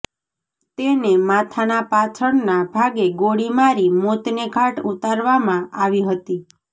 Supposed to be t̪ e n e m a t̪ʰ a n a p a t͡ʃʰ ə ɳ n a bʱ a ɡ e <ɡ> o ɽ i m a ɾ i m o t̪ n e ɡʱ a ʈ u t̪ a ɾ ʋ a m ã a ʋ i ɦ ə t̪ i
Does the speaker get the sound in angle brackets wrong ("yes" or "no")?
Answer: no